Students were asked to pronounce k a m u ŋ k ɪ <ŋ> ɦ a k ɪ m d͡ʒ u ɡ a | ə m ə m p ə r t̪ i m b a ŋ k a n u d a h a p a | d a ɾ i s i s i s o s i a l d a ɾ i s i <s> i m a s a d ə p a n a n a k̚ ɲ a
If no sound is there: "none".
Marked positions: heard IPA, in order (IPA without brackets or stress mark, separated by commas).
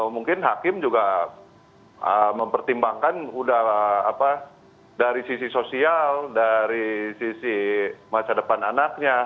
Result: n, s